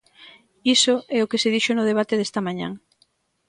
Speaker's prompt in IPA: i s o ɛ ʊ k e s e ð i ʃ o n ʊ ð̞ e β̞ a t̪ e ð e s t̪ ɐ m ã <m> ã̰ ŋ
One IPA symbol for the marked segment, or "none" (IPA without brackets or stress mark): ɲ